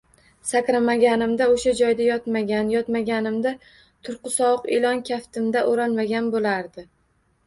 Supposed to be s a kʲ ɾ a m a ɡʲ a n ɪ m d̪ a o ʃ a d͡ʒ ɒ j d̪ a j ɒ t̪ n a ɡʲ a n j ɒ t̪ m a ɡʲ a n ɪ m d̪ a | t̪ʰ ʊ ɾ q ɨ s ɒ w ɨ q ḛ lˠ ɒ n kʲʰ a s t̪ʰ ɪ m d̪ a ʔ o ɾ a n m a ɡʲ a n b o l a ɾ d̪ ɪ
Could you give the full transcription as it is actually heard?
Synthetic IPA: s a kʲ ɾ a m a ɡʲ a n ɪ m d̪ a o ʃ a d͡ʒ ɒ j d̪ a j ɒ t̪ m a ɡʲ a n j ɒ t̪ m a ɡʲ a n ɪ m d̪ a | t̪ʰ ʊ ɾ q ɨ s ɒ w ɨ q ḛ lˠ ɒ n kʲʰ a f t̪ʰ ɪ m d̪ a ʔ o ɾ a n m a ɡʲ a n b o l a ɾ d̪ ɪ